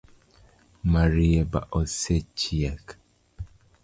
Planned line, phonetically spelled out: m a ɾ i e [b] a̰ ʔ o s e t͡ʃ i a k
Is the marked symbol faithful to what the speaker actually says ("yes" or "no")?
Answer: yes